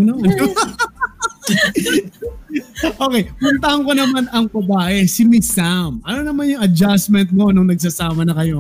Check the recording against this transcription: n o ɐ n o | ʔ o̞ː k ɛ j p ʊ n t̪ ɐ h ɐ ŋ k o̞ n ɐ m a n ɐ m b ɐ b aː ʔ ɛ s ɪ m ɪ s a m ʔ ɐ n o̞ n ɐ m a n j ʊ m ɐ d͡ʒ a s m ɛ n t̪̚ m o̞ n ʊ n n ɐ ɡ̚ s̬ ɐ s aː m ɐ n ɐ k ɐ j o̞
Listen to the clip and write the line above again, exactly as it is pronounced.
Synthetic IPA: n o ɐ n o | ʔ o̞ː k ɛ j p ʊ n t̪ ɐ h ɐ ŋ k o̞ n ɐ m a n ɐ ŋ b ɐ b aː ʔ ɛ s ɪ m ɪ s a m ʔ ɐ n o̞ n ɐ m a n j ʊ ŋ ɐ d͡ʒ a s m ɛ n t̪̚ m o̞ n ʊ ŋ n ɐ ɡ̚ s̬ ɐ s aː m ɐ n ɐ k ɐ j o̞